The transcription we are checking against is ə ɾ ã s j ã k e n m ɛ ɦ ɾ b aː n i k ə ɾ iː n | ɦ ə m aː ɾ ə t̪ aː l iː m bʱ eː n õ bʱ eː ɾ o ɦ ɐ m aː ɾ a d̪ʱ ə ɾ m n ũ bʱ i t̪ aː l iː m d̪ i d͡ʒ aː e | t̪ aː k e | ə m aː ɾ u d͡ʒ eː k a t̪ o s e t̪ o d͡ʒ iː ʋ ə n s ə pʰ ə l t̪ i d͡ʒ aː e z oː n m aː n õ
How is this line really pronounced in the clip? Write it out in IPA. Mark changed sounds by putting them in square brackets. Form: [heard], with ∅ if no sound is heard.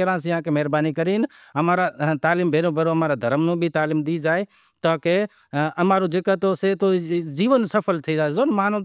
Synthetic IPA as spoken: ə ɾ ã s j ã k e [∅] m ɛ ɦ ɾ b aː n i k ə ɾ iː n | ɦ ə m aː ɾ [a] t̪ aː l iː m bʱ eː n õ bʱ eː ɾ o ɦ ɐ m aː ɾ a d̪ʱ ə ɾ m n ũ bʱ i t̪ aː l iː m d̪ i d͡ʒ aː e | t̪ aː k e | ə m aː ɾ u d͡ʒ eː k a t̪ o s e t̪ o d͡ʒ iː ʋ ə n s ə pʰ ə l [t̪ʰ] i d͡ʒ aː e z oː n m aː n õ